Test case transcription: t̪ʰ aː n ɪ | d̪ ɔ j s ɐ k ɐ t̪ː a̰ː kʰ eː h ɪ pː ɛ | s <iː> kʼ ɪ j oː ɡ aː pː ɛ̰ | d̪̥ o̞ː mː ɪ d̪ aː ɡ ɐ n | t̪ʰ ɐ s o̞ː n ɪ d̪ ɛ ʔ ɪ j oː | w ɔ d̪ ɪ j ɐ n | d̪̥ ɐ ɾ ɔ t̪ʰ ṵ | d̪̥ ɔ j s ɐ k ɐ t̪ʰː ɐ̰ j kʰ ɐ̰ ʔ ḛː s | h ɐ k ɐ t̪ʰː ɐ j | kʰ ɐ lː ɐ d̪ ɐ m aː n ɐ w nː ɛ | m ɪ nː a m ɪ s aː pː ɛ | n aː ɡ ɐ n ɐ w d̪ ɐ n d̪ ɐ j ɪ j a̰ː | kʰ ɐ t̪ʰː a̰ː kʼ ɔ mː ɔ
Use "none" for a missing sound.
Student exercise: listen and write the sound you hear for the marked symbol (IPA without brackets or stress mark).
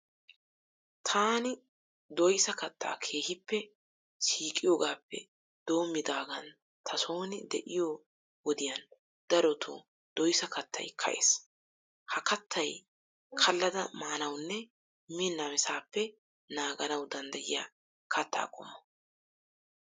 iː